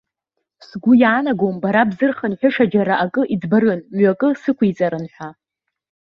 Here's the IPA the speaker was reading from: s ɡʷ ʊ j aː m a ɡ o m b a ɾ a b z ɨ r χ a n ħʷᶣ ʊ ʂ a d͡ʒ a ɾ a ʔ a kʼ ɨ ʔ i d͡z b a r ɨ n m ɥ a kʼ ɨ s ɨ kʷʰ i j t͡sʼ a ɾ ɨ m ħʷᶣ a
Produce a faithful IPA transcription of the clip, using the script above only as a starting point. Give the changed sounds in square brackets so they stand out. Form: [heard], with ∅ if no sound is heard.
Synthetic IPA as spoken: s ɡʷ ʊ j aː [n] a ɡ o m b a ɾ a b z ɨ r χ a n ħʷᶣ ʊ ʂ a d͡ʒ a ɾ a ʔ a kʼ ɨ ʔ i d͡z b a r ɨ n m ɥ a kʼ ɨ s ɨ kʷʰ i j t͡sʼ a ɾ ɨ [n] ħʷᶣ a